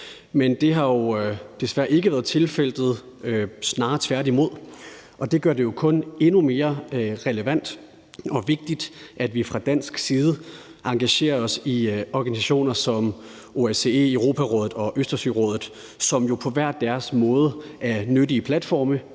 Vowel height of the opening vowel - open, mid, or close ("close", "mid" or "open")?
mid